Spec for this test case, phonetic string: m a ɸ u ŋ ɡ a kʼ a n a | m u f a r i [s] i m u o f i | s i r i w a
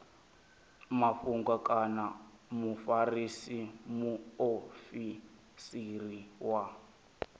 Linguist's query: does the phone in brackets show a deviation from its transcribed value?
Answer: no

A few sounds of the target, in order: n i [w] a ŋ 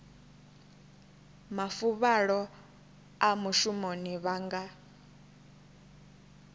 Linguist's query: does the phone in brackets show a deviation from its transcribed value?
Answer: yes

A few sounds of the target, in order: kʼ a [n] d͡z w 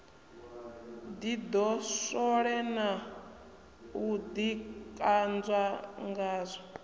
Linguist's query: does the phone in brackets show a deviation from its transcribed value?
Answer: no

